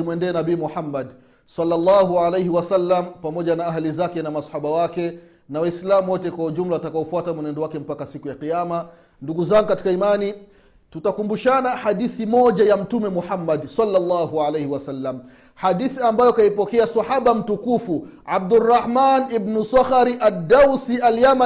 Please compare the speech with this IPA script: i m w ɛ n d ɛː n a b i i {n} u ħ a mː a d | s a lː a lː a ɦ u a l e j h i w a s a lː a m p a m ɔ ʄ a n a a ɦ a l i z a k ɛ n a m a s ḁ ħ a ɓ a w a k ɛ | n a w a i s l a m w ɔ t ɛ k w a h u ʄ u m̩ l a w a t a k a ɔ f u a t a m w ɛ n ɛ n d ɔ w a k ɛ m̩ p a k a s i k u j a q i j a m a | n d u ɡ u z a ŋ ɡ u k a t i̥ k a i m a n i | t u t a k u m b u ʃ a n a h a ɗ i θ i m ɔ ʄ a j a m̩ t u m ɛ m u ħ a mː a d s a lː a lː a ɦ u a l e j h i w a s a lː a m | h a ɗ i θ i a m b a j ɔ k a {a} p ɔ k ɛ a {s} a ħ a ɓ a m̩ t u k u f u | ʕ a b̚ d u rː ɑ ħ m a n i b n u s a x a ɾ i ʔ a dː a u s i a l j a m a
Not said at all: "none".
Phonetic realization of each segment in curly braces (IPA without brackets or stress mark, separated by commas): m, i, s